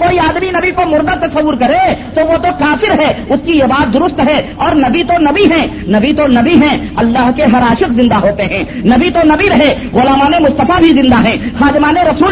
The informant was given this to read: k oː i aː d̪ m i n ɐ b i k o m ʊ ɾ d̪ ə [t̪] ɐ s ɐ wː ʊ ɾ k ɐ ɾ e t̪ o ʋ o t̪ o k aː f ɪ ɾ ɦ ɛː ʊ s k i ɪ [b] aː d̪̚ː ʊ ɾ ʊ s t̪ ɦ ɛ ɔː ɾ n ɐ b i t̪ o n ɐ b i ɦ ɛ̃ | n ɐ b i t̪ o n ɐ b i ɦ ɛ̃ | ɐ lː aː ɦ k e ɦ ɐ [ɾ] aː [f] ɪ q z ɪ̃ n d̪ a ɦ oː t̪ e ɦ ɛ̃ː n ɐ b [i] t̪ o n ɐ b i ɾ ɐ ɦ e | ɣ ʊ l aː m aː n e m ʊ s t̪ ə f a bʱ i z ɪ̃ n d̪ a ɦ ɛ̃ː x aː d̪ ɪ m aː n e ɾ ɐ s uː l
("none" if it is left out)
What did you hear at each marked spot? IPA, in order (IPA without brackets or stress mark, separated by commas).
t̪, b, ɾ, ʃ, i